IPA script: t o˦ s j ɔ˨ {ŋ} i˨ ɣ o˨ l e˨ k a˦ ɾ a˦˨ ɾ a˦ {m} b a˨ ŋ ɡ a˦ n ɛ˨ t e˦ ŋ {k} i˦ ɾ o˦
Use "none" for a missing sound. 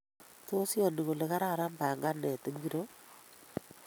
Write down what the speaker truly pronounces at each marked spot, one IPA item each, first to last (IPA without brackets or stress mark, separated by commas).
n, m, ɡ